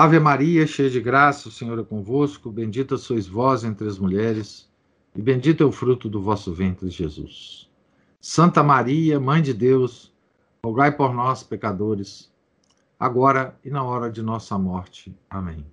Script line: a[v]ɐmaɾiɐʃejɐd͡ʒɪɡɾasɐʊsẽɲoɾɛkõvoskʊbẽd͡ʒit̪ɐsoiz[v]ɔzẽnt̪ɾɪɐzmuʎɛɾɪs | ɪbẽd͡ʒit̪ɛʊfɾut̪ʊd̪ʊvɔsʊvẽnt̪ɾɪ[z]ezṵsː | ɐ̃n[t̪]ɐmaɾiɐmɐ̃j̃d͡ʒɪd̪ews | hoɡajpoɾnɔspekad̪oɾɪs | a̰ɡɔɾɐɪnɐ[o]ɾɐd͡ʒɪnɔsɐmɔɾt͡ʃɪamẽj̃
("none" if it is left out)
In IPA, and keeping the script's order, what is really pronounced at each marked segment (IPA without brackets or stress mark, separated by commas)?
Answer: v, v, ʒ, t̪, ɔ